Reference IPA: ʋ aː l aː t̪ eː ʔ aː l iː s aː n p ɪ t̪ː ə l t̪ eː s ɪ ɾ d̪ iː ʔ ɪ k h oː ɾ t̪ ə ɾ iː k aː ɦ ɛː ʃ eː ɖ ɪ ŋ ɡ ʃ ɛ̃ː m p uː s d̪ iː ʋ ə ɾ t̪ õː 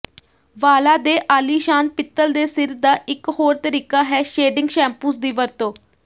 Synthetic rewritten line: ʋ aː l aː d̪ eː ʔ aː l iː ʃ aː n p ɪ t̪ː ə l d̪ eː s ɪ ɾ d̪ aː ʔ ɪ k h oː ɾ t̪ ə ɾ iː k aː ɦ ɛː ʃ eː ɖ ɪ ŋ ɡ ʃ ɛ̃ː m p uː s d̪ iː ʋ ə ɾ t̪ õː